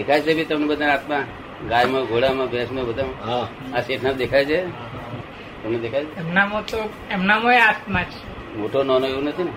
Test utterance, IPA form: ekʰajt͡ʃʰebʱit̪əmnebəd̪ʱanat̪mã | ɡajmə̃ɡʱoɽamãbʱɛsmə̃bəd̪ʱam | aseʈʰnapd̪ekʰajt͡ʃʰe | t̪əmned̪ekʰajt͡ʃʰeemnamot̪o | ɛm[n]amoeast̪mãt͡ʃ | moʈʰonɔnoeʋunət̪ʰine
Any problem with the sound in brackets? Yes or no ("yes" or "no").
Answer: no